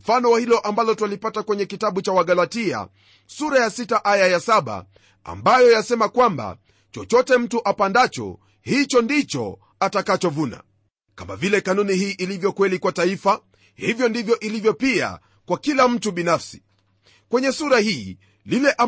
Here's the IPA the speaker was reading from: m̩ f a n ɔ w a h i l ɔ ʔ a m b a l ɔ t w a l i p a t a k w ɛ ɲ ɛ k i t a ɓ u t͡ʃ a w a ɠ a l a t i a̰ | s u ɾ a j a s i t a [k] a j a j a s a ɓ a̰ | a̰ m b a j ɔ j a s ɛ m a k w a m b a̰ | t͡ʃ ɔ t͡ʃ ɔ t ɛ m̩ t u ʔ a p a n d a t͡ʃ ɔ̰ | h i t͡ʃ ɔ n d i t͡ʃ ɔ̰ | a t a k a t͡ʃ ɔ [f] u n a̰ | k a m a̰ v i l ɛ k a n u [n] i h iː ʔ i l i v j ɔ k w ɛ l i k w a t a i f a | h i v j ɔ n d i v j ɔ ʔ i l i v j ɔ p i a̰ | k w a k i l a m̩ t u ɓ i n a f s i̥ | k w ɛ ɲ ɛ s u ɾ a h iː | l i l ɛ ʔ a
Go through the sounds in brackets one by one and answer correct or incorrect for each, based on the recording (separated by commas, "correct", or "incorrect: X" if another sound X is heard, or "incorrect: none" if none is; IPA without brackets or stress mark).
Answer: incorrect: ʔ, incorrect: v, correct